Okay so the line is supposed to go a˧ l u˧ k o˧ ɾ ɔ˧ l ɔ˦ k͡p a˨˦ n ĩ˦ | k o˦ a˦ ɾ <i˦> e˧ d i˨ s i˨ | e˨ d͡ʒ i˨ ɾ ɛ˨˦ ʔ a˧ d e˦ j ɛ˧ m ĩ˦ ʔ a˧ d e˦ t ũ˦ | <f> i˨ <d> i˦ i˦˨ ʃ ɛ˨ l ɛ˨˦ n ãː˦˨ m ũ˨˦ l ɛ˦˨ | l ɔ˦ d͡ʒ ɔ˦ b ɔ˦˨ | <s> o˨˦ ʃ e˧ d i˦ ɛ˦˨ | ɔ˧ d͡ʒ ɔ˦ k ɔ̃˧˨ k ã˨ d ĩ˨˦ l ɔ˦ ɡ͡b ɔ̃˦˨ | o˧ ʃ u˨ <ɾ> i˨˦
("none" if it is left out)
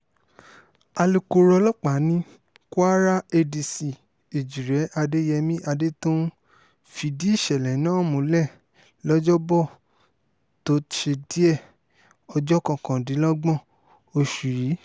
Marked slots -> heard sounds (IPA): a˦, f, d, t, ɾ

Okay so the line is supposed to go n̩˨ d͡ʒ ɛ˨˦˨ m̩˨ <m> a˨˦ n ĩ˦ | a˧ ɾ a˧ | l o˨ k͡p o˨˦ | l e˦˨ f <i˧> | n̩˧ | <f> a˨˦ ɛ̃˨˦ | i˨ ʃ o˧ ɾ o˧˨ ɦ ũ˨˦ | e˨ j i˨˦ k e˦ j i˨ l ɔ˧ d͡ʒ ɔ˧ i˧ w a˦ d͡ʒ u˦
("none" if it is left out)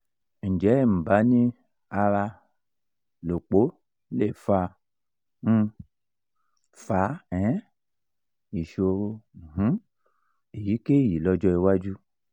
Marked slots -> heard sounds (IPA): b, a˧, f

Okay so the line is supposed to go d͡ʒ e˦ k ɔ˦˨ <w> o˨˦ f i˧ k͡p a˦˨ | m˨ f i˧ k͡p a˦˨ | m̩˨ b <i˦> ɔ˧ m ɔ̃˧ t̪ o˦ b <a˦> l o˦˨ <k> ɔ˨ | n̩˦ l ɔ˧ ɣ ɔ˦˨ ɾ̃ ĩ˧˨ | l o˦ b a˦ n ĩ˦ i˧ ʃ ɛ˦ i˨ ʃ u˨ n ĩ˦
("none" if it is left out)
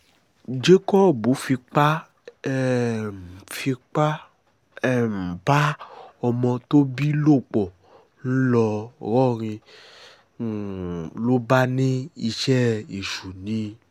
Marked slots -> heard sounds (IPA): b, a˦, i˦, k͡p

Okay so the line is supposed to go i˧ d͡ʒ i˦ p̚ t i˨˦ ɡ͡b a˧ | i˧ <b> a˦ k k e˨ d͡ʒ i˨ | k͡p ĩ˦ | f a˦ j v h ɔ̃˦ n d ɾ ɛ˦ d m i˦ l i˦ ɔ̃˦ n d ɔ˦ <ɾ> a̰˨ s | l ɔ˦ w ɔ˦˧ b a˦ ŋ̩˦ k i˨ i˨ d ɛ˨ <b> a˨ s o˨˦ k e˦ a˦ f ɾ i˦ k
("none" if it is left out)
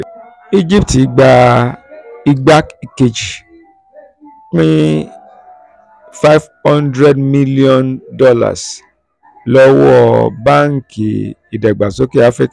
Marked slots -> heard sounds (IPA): ɡ͡b, l, ɡ͡b

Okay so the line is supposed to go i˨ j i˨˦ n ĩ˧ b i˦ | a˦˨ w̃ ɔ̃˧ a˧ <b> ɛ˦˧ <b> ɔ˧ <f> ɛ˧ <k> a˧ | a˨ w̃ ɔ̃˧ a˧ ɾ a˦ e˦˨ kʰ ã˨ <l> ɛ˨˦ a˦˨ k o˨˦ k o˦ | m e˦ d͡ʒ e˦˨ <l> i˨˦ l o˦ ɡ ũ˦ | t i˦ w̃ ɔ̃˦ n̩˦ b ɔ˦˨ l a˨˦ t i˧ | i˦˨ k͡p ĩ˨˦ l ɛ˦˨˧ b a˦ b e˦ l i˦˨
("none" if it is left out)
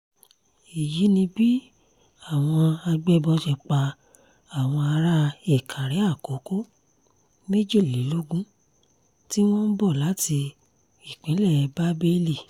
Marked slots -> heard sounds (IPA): ɡ͡b, b, ʃ, k͡p, ɾ, l

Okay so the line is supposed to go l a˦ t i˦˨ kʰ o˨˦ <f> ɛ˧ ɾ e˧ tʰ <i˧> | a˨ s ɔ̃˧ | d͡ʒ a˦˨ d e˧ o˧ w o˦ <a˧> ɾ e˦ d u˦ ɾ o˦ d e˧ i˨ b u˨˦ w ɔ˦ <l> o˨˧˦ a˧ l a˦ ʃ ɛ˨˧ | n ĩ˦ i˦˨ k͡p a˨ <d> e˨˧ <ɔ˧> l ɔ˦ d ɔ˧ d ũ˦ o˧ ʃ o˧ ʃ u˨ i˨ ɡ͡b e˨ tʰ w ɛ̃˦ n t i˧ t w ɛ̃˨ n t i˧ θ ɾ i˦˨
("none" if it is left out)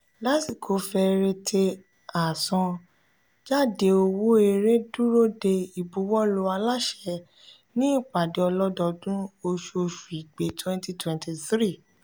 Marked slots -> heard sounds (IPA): f, e˧, e˧, l, d, ɔ˧

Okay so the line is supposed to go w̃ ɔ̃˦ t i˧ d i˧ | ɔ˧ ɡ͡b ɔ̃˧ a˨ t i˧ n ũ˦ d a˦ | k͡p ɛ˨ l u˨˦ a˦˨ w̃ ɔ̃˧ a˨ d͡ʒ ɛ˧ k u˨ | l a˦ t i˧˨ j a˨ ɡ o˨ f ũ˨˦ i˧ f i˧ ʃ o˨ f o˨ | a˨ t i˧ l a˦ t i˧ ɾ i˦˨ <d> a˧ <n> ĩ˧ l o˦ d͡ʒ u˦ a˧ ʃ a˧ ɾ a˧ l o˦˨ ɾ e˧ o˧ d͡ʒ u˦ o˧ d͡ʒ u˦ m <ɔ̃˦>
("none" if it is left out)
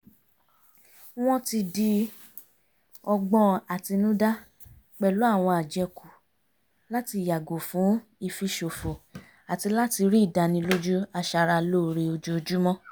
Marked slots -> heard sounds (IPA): d, n, ɔ̃˦

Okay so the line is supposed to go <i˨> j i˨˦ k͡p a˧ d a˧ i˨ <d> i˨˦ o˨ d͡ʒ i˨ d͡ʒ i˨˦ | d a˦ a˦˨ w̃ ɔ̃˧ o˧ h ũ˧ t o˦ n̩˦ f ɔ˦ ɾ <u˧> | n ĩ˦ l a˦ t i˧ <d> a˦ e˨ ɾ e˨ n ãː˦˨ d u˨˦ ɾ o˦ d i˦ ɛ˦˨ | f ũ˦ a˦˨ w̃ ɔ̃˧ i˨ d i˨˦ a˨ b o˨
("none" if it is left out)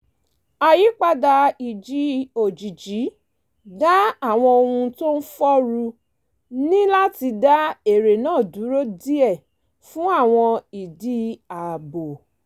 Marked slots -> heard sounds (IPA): a˨, d͡ʒ, u˧, d

